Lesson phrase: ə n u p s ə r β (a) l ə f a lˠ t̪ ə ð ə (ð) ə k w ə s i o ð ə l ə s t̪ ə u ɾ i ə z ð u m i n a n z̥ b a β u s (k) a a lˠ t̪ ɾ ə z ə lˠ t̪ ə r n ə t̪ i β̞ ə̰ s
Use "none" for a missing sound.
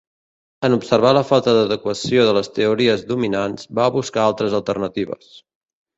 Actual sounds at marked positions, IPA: a, ð, k

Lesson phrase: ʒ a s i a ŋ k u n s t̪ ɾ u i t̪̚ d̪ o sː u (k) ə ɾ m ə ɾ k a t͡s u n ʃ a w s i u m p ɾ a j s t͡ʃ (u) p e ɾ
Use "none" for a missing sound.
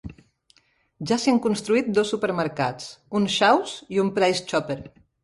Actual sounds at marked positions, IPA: p, ɔ

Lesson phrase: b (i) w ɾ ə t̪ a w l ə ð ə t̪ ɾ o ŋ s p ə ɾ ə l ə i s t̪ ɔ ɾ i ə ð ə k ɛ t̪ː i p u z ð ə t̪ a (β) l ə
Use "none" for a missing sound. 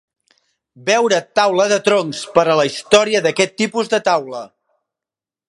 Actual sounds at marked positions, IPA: ɛ, w

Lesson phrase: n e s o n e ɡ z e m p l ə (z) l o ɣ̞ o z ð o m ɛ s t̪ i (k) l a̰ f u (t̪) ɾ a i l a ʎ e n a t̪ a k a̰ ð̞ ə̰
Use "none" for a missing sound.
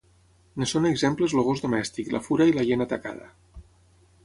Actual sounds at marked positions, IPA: z, k, none

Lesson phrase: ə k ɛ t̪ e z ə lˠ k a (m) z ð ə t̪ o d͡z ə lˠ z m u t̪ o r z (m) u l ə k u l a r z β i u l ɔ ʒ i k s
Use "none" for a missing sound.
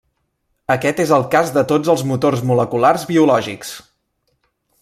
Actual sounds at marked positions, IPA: none, m

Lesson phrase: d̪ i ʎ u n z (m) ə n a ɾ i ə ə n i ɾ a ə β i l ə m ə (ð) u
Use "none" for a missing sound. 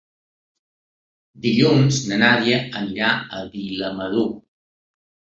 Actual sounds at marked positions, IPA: n, ð

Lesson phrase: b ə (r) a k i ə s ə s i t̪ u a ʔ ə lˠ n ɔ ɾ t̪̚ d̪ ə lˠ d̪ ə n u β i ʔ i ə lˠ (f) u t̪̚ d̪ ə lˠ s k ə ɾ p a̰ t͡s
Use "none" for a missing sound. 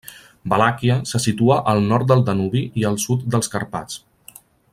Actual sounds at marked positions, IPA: l, s

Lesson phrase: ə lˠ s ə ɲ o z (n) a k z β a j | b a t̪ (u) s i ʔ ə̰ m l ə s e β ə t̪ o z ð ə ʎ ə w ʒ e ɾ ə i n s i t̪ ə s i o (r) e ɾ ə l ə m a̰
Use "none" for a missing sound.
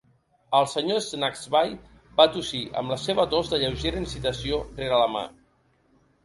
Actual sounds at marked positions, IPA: n, u, r

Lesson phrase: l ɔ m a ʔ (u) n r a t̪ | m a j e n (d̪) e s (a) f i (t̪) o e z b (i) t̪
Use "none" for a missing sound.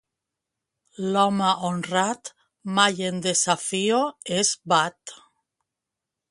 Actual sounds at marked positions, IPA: o, d̪, a, none, a

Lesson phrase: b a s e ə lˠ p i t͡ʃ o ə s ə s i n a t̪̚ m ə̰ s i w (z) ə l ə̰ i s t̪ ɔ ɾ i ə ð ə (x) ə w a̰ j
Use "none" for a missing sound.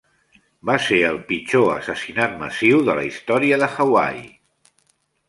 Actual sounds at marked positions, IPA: ð, x

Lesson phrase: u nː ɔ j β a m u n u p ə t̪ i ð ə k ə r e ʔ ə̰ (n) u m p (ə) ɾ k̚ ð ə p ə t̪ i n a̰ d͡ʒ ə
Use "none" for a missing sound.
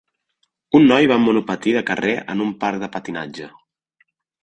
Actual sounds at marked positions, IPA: n, a

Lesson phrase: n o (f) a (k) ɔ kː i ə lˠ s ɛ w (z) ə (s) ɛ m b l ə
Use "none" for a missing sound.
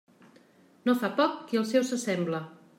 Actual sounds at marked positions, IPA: f, p, s, s

